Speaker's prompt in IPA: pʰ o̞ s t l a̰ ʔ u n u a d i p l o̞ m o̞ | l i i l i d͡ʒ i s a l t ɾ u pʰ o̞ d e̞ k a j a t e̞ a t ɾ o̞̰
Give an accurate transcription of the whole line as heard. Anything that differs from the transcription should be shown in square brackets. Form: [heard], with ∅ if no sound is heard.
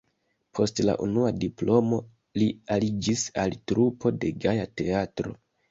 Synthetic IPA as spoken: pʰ o̞ s t l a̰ ʔ u n u a d i p l o̞ m o̞ | l i [a] l i d͡ʒ i s a l t ɾ u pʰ o̞ d e̞ [ɡ] a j a t e̞ a t ɾ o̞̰